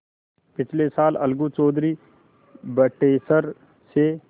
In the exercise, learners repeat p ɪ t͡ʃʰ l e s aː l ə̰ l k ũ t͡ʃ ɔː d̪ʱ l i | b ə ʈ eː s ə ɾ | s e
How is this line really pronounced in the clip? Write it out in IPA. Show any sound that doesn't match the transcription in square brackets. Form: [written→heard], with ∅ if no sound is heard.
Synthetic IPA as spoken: p ɪ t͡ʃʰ l e s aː l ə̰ l [k→ɡ] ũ t͡ʃ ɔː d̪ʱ [l→ɾ] i | b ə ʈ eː s ə ɾ | s e